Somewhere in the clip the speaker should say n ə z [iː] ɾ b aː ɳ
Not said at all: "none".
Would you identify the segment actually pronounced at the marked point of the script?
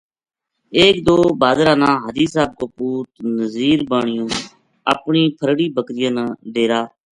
iː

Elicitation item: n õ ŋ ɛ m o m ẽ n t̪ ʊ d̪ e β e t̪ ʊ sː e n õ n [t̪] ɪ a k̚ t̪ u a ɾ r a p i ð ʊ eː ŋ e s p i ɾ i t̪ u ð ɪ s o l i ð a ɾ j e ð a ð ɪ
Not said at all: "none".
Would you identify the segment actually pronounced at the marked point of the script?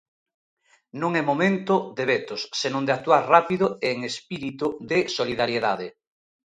d̪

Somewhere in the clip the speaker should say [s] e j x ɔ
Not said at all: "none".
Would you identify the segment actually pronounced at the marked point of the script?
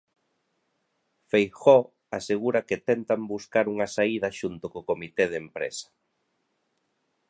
f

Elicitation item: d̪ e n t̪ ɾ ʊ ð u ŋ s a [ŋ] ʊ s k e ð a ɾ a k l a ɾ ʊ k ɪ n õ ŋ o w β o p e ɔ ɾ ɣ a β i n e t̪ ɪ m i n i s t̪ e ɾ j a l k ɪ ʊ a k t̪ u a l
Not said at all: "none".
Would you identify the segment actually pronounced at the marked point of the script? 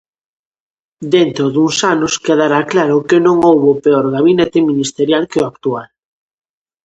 n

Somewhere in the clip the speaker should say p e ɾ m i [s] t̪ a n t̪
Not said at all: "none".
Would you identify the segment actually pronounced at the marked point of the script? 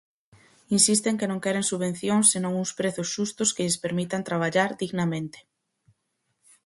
none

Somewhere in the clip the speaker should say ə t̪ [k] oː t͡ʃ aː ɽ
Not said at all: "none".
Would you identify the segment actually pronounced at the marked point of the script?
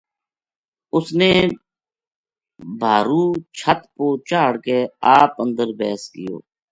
p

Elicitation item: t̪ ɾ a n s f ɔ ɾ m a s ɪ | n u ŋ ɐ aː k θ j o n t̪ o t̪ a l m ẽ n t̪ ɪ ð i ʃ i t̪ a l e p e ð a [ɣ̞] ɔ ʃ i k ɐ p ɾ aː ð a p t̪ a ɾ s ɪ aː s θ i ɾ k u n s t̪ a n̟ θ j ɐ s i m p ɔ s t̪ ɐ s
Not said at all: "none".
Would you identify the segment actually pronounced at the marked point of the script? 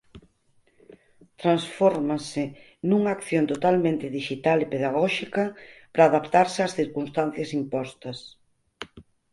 ɣ̞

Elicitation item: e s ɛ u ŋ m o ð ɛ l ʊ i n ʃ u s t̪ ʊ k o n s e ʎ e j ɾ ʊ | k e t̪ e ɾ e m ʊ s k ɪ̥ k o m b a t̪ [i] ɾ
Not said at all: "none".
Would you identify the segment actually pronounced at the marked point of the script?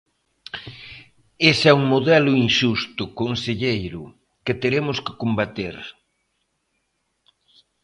e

